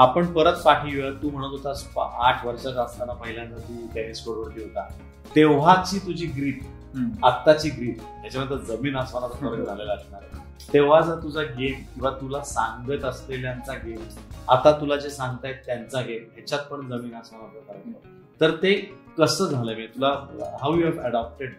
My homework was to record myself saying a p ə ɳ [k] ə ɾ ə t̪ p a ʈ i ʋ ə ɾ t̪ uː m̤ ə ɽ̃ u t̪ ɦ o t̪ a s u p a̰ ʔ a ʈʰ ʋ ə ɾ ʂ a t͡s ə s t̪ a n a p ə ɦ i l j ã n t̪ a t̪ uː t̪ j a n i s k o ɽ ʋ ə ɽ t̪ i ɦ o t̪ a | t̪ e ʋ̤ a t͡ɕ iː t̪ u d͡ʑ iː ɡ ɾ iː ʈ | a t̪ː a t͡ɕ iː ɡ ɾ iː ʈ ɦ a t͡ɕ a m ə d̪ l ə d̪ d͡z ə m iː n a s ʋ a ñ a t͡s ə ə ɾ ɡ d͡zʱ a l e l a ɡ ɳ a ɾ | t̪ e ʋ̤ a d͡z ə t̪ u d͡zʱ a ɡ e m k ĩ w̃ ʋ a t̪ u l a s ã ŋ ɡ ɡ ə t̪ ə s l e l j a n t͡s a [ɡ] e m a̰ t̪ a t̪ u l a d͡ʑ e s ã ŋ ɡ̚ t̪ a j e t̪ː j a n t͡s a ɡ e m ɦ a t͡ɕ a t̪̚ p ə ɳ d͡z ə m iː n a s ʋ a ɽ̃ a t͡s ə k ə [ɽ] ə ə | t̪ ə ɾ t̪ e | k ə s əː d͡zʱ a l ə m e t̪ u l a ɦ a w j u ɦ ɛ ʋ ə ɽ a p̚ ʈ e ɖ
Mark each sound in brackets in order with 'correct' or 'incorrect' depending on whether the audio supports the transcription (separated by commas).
incorrect, correct, incorrect